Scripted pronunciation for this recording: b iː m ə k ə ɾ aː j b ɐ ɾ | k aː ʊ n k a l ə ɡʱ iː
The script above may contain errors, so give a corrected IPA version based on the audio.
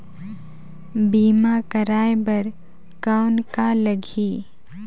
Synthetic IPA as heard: b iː m a k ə ɾ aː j b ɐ ɾ | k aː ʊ n k a l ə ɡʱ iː

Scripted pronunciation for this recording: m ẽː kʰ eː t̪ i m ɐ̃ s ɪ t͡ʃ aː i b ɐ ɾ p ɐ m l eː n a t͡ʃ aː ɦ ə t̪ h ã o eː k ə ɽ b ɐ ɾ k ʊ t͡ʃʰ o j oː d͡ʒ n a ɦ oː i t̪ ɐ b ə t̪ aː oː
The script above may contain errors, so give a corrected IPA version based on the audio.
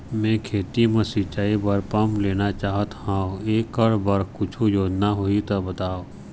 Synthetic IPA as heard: m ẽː kʰ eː t̪ i m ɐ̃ s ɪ t͡ʃ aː i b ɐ ɾ p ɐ m l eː n a t͡ʃ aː ɦ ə t̪ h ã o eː k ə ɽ b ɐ ɾ k ʊ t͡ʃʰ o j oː d͡ʒ n a ɦ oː i t̪ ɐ b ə t̪ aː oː

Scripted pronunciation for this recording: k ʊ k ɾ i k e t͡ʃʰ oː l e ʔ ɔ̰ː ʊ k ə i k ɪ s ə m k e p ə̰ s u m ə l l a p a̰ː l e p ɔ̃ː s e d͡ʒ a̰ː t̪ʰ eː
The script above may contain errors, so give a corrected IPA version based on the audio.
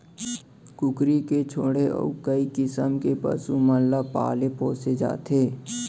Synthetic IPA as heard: k ʊ k ɾ i k e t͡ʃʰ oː ɽ e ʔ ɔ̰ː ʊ k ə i k ɪ s ə m k e p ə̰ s u m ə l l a p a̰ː l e p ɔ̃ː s e d͡ʒ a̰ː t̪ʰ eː

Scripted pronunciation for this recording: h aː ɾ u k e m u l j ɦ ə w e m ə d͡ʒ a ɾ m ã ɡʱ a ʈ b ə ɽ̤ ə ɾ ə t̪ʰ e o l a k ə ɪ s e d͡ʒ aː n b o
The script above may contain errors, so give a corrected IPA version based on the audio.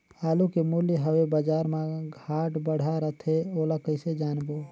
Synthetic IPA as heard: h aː l u k e m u l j ɦ ə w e b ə d͡ʒ a ɾ m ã ɡʱ a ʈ b ə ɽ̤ a ɾ ə t̪ʰ e o l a k ə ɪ s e d͡ʒ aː n b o

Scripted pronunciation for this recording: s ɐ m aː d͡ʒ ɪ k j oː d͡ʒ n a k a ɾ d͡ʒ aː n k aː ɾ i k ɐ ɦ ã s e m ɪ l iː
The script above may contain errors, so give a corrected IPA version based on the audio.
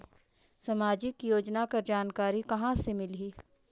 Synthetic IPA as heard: s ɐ m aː d͡ʒ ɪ k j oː d͡ʒ n a k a ɾ d͡ʒ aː n k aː ɾ i k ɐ ɦ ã s e m ɪ l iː

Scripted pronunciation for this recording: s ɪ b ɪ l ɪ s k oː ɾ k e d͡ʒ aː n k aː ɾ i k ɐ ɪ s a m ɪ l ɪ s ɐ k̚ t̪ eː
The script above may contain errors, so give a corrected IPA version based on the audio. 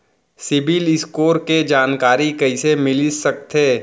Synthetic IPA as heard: s ɪ b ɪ l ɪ s k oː ɾ k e d͡ʒ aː n k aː ɾ i k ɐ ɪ s e m ɪ l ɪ s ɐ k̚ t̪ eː

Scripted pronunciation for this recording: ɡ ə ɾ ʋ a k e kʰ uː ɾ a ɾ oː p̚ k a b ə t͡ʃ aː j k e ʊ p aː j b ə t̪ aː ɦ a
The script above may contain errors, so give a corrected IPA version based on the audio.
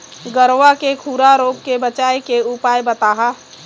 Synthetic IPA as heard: ɡ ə ɾ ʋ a k e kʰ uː ɾ a ɾ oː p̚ k e b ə t͡ʃ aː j k e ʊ p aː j b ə t̪ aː ɦ a

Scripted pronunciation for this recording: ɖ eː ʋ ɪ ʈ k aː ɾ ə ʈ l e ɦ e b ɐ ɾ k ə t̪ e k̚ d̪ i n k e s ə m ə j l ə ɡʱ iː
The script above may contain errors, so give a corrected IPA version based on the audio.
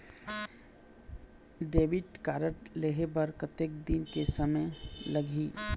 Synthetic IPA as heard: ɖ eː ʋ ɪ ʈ k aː ɾ ə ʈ l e ɦ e b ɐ ɾ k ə t̪ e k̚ d̪ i n k e s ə m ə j l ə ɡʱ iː

